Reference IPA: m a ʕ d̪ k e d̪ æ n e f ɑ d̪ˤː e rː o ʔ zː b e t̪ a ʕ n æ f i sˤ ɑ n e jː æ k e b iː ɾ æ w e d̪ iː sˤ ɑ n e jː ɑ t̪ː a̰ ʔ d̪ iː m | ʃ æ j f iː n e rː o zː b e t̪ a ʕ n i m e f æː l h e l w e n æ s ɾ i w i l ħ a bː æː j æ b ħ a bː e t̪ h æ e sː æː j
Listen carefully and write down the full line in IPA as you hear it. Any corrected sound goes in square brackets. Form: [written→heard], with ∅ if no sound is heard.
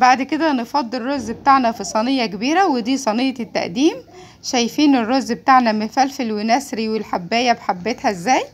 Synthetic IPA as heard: [m→b] a ʕ d̪ k e d̪ æ n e f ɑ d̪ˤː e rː o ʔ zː b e t̪ a ʕ n æ f i sˤ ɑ n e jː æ k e b iː ɾ æ w e d̪ iː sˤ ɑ n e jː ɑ t̪ː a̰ ʔ d̪ iː m | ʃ æ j f iː n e rː o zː b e t̪ a ʕ n [i→æ] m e f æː l [h→f] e l w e n æ s ɾ i w [i→e] l ħ a bː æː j æ b ħ a bː e t̪ h æ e [sː→zː] æː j